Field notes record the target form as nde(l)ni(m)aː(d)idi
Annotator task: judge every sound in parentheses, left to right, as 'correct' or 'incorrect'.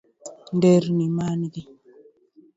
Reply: incorrect: ɾ, correct, incorrect: n

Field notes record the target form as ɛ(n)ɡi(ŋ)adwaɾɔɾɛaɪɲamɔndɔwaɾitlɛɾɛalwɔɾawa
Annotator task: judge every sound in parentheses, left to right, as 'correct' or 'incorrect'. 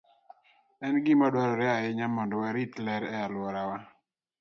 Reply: correct, incorrect: m

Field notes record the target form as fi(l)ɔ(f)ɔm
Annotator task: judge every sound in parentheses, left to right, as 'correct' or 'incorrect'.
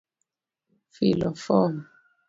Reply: correct, correct

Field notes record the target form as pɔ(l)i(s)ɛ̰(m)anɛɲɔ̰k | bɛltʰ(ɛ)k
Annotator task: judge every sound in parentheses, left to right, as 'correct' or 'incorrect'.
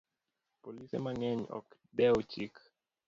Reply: correct, correct, correct, incorrect: i

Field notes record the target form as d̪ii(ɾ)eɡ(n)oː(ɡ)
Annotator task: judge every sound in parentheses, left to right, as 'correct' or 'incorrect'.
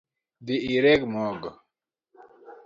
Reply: correct, incorrect: m, correct

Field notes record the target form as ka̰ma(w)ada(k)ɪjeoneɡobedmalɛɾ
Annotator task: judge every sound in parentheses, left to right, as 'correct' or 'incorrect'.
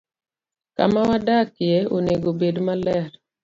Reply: correct, correct

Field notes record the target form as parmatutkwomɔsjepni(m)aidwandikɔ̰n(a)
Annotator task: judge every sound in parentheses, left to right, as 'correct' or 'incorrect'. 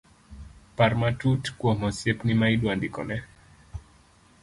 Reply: correct, incorrect: ɛ

